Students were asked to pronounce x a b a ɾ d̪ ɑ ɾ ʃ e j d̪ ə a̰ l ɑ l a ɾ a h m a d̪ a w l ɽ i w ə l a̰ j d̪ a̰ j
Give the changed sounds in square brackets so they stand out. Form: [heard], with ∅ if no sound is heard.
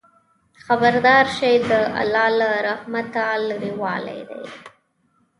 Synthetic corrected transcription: x a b a ɾ d̪ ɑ ɾ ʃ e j d̪ ə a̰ l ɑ l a ɾ a h m a [t̪] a [∅] l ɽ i w [ɑ] l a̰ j d̪ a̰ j